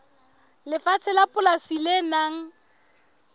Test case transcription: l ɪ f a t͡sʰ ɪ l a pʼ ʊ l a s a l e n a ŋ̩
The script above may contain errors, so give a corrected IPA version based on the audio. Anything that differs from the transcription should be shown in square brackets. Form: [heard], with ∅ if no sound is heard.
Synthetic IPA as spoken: l ɪ f a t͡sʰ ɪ l a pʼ ʊ l a s [i] l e n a ŋ̩